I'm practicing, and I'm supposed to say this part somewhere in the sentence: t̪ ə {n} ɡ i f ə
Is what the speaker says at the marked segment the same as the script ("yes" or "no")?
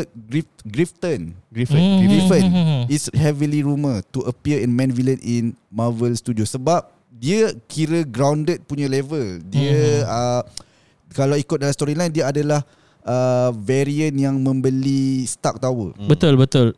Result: yes